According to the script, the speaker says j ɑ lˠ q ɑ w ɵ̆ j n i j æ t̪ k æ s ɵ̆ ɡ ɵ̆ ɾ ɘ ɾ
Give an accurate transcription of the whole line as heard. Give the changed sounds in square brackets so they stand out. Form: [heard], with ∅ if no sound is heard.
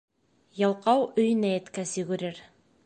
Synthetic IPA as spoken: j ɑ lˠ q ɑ w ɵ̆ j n [æ] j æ t̪ k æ s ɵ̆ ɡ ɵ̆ ɾ ɘ ɾ